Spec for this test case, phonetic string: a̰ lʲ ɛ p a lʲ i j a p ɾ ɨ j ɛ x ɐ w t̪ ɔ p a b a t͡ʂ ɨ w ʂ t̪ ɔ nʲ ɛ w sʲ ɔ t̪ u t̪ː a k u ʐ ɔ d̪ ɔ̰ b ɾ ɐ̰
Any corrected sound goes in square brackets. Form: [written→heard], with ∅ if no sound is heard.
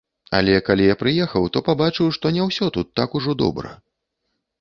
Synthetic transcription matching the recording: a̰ lʲ ɛ [p→k] a lʲ i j a p ɾ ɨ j ɛ x ɐ w t̪ ɔ p a b a t͡ʂ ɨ w ʂ t̪ ɔ nʲ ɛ w sʲ ɔ t̪ u t̪ː a k u ʐ ɔ d̪ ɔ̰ b ɾ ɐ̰